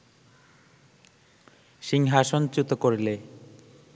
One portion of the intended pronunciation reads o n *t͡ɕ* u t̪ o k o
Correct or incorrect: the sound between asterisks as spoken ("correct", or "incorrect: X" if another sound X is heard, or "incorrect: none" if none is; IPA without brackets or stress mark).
correct